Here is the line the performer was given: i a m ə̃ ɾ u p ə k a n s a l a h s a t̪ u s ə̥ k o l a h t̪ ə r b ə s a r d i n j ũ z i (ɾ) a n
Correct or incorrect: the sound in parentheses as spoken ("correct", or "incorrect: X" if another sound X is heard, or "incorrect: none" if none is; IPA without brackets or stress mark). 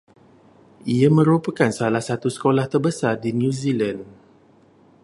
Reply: incorrect: l